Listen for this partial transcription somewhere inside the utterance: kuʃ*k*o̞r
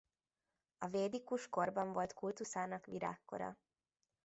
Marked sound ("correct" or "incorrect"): correct